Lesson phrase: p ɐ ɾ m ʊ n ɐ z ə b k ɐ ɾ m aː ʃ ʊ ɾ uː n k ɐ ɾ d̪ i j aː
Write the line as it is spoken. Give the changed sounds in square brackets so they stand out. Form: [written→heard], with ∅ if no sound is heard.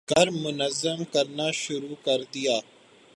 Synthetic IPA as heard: [p→k] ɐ ɾ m ʊ n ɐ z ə [b→m] k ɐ ɾ [m→n] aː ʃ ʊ ɾ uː [n→∅] k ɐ ɾ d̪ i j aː